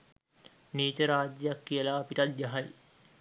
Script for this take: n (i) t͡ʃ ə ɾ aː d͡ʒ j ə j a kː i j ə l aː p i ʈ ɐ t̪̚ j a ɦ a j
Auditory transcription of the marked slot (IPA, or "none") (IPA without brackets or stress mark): iː